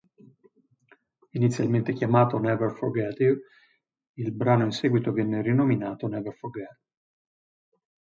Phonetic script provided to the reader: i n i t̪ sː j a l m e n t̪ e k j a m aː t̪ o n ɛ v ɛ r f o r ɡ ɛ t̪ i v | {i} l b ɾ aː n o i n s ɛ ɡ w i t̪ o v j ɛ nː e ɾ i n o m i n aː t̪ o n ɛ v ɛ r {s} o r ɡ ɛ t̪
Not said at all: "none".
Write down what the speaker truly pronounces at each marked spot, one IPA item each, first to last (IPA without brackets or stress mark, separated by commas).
i, f